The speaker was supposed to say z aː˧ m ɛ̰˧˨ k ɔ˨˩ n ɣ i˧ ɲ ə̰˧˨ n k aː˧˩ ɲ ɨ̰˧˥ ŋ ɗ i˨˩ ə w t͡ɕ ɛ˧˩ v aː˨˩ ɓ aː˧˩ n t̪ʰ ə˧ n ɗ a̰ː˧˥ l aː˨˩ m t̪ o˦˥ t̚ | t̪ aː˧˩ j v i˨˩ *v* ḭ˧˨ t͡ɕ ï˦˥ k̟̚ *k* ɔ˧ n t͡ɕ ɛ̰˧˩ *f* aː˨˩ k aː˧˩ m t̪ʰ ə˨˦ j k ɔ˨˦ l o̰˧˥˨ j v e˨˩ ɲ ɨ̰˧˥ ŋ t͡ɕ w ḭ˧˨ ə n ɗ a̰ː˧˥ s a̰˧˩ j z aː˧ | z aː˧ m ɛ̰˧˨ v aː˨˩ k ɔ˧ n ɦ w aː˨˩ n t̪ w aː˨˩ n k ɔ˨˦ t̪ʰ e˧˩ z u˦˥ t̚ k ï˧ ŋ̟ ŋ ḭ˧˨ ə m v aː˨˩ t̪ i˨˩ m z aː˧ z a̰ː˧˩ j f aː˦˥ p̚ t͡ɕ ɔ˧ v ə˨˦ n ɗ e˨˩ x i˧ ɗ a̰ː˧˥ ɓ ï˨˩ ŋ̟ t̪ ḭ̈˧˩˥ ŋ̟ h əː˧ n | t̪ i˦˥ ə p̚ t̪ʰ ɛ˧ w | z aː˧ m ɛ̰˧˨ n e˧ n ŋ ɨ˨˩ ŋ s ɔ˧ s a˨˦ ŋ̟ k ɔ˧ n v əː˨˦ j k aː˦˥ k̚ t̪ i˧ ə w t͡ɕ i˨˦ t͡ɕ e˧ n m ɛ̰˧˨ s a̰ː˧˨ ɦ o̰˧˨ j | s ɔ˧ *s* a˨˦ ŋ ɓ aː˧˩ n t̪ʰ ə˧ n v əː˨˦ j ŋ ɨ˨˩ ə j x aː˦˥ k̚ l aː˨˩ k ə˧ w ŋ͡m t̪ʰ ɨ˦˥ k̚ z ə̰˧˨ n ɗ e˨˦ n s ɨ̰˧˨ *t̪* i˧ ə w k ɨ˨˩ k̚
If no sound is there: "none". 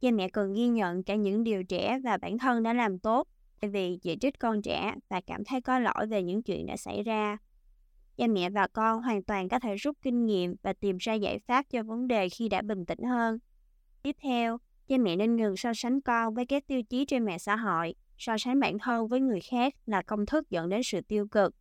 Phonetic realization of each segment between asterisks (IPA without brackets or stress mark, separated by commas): z, k, v, s, t̪